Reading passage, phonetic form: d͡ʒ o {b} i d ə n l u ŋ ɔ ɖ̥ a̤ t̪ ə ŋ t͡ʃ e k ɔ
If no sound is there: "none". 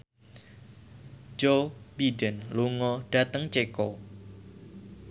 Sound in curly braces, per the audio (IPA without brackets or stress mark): b